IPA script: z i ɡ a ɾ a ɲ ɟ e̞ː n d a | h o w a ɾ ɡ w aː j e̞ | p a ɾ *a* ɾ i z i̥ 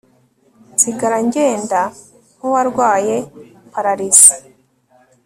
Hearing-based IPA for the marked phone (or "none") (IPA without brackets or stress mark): a